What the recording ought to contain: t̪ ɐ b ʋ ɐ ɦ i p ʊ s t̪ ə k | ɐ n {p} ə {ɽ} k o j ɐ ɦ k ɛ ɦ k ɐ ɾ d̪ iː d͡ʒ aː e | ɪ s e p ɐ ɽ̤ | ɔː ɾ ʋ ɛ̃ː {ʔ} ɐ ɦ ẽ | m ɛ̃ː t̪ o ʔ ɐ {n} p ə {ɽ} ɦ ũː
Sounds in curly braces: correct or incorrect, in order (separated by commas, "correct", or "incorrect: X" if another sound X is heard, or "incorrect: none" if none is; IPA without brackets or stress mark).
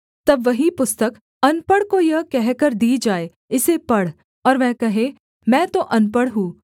correct, correct, incorrect: k, correct, correct